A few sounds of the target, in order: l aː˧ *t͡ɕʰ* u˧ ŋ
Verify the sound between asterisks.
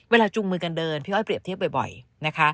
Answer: incorrect: t͡ɕ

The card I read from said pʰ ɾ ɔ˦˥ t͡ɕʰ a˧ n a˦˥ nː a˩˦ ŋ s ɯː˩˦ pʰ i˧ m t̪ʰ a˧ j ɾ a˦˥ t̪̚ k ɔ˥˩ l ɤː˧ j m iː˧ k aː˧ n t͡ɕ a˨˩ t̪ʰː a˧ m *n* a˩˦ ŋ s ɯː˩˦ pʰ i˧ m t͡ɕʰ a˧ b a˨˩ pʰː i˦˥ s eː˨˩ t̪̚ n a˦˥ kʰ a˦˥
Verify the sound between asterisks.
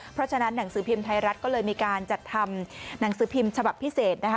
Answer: correct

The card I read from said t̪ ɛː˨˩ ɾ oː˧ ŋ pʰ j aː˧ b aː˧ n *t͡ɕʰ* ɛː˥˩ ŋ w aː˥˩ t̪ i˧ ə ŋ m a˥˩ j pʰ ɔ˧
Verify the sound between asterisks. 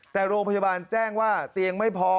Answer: incorrect: t͡ɕ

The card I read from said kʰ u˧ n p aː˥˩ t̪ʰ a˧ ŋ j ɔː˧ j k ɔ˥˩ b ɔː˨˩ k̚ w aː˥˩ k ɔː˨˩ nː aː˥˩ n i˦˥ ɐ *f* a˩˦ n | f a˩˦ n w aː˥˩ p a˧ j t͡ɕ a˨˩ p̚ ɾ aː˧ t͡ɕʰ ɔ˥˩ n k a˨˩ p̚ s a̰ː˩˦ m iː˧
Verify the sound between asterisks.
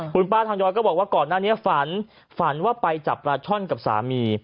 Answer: correct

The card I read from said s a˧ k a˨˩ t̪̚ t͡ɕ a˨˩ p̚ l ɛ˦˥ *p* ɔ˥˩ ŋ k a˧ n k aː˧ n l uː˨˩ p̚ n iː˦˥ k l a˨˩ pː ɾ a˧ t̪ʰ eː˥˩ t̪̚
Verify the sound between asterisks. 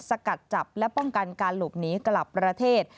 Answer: correct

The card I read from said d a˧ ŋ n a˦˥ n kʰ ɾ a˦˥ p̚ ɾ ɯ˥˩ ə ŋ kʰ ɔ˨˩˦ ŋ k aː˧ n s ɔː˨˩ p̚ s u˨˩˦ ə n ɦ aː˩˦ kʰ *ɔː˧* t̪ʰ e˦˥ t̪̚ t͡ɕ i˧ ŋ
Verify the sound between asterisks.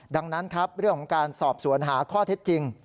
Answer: incorrect: ɔː˥˩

